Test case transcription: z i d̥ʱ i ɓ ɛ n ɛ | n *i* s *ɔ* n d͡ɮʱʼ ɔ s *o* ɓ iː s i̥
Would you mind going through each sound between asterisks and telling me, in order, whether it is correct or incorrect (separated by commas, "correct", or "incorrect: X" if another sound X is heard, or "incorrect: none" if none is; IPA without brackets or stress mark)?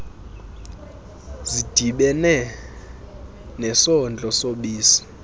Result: incorrect: ɛ, correct, correct